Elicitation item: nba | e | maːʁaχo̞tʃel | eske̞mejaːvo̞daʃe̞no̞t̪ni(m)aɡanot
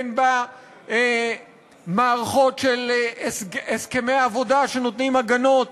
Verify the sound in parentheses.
correct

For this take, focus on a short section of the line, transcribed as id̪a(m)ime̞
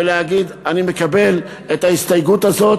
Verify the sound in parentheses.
incorrect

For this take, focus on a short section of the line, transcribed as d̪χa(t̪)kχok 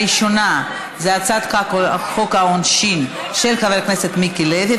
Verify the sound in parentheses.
incorrect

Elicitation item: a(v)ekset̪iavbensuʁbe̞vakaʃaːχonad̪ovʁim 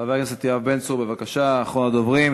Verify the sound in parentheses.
correct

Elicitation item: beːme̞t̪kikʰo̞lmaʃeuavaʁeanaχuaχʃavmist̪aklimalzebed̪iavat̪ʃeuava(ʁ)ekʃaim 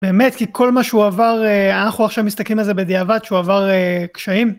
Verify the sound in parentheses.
correct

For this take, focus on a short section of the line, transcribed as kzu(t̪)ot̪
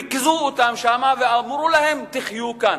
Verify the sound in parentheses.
incorrect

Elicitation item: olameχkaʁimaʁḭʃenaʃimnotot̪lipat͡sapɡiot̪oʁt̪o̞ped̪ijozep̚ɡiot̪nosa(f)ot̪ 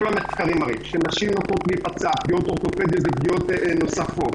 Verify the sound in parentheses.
correct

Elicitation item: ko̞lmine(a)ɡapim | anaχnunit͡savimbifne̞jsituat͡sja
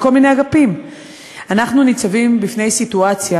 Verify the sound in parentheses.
correct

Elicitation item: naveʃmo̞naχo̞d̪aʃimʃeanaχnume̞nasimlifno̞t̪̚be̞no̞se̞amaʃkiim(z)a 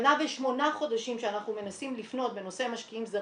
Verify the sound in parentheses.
correct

